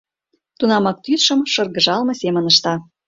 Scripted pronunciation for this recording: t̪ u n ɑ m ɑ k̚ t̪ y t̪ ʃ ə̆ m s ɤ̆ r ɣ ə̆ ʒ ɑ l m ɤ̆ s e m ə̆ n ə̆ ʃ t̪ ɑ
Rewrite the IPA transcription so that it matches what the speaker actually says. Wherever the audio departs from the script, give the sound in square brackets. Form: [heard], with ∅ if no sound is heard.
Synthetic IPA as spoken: t̪ u n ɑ m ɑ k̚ t̪ y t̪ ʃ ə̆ m [ʃ] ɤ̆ r ɣ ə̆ ʒ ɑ l m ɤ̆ s e m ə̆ n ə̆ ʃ t̪ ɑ